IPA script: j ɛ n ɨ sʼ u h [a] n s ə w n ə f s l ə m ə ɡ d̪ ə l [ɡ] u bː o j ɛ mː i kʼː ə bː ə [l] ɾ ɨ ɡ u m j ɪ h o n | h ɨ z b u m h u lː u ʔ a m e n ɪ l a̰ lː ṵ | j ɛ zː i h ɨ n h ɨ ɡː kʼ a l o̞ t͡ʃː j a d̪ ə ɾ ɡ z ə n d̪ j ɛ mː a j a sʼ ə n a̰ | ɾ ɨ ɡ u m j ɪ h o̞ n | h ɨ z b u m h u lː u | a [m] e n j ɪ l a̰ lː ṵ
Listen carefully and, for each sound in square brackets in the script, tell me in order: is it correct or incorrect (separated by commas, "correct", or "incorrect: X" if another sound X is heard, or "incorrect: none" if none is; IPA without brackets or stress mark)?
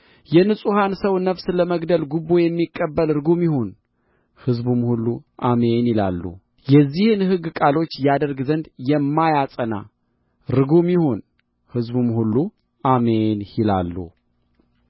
correct, correct, correct, correct